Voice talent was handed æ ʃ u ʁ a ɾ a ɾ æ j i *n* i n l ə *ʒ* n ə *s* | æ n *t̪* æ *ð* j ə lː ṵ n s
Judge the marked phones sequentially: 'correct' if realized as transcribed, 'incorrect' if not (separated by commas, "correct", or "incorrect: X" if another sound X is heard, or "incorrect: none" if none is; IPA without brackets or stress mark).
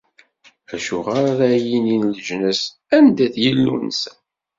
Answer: correct, correct, correct, incorrect: d̪, incorrect: θ